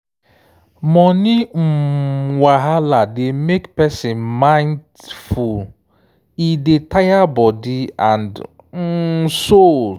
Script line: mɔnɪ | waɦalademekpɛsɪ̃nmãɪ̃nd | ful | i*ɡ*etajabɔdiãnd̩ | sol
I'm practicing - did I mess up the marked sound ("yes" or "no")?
yes